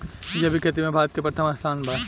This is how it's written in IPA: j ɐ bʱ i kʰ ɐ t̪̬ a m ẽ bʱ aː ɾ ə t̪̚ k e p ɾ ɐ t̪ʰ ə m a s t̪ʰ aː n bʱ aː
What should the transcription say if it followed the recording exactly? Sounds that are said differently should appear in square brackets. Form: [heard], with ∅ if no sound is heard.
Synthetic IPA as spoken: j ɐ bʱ i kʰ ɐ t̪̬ [i] m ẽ bʱ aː ɾ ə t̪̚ k e p ɾ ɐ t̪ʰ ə m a s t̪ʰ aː n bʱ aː